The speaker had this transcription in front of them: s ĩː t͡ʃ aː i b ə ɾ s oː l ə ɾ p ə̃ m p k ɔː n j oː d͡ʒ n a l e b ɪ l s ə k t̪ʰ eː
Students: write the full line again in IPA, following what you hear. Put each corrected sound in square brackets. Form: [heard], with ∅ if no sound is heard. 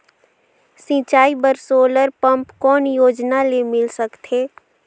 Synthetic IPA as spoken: s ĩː t͡ʃ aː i b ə ɾ s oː l ə ɾ p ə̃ m p k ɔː n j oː d͡ʒ n a l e [m] ɪ l s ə k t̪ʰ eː